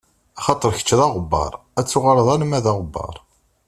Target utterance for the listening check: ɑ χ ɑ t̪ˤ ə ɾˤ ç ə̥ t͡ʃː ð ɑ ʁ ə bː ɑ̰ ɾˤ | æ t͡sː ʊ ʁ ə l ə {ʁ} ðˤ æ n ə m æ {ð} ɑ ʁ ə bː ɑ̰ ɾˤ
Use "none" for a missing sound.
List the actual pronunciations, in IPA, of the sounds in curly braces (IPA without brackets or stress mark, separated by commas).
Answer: none, ð